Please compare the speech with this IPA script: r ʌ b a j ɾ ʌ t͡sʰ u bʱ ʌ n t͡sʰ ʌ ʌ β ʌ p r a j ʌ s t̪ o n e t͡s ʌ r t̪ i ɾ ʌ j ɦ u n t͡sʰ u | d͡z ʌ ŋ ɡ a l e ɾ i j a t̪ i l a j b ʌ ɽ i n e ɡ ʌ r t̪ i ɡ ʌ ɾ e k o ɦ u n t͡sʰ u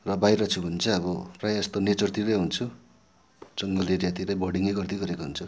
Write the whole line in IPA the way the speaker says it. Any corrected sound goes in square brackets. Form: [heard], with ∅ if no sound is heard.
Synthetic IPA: r ʌ b a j ɾ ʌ t͡sʰ u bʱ ʌ n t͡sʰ ʌ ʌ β ʌ p r a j ʌ s t̪ o n e t͡s ʌ r t̪ i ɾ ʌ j ɦ u n t͡sʰ u | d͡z ʌ ŋ ɡ [ʌ] l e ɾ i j a t̪ i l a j b ʌ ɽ i [ŋ] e ɡ ʌ r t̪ i ɡ ʌ ɾ e k o ɦ u n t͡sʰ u